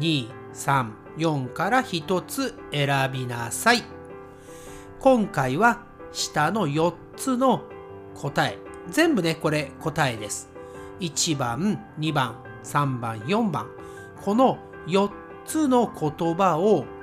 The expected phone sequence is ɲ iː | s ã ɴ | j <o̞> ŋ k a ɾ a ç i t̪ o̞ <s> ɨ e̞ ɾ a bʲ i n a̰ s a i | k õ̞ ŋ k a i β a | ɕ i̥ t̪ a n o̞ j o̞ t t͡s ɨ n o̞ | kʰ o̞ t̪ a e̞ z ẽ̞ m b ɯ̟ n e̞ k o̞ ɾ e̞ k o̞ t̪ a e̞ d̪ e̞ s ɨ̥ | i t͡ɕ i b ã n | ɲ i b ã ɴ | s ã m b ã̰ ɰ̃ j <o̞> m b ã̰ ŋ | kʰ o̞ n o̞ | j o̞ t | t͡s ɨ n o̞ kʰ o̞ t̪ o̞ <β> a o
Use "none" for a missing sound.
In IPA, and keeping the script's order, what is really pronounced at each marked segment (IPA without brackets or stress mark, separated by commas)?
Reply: õ̞, t͡s, õ̞, b